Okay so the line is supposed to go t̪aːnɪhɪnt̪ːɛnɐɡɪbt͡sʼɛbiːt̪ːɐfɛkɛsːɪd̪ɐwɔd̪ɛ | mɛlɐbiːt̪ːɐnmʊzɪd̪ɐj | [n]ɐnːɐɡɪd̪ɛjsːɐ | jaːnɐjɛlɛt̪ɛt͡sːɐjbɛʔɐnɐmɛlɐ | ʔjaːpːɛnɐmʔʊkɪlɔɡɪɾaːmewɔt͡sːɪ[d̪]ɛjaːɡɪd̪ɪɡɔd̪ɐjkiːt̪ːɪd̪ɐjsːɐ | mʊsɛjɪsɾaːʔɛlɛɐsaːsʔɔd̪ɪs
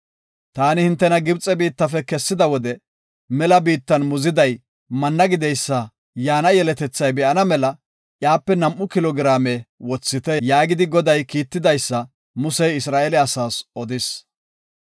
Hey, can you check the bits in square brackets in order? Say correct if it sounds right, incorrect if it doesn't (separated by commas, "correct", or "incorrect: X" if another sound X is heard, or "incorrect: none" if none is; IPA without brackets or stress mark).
incorrect: m, incorrect: t̪